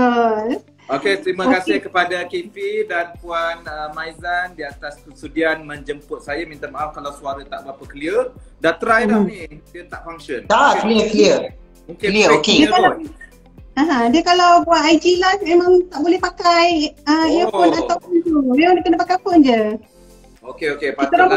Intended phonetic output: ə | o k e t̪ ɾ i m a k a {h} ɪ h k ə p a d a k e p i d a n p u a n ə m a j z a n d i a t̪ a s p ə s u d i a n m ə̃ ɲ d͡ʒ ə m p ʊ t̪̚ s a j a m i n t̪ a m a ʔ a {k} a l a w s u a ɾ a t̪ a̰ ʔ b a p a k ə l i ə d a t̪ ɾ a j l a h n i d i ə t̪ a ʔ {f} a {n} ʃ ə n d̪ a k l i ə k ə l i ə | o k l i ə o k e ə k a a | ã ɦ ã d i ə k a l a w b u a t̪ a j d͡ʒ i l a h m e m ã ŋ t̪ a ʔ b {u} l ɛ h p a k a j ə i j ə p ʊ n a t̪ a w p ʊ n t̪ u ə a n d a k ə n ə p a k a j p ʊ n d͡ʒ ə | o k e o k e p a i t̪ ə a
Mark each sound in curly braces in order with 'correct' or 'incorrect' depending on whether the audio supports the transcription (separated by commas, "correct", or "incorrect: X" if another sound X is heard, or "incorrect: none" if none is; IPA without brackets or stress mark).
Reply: incorrect: s, correct, correct, incorrect: ŋ, incorrect: o